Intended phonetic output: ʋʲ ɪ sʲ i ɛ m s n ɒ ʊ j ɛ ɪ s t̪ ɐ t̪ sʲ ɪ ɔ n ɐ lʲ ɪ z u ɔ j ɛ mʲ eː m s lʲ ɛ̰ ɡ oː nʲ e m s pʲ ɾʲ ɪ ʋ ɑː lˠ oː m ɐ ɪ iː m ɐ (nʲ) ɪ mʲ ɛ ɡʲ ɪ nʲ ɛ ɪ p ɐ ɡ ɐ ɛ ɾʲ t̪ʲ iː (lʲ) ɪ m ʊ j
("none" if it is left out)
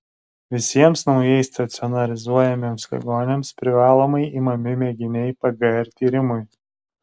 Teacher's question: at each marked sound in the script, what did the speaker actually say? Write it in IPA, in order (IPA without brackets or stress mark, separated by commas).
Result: mʲ, ɾʲ